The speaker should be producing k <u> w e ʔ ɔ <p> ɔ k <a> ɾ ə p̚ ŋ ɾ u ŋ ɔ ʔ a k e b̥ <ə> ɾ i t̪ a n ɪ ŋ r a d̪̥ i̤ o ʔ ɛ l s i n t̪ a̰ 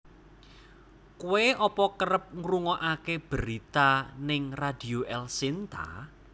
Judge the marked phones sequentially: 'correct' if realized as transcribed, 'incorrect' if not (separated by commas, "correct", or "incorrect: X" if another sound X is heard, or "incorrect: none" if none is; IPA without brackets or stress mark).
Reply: correct, correct, incorrect: ə, correct